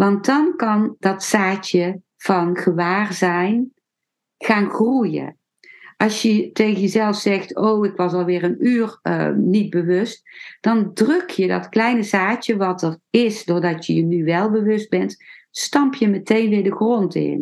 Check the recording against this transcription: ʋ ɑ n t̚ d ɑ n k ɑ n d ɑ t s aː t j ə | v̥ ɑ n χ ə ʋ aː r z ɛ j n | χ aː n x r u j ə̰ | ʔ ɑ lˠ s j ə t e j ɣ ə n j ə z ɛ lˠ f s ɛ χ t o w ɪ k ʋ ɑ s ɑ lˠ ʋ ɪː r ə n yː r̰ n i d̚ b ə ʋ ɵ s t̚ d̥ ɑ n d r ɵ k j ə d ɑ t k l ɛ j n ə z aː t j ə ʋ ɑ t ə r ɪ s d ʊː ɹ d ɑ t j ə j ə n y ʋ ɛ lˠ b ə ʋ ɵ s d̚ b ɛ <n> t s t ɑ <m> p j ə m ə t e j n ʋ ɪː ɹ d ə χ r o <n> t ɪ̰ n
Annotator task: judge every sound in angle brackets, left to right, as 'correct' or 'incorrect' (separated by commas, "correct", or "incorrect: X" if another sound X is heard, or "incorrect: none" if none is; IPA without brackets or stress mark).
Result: correct, correct, correct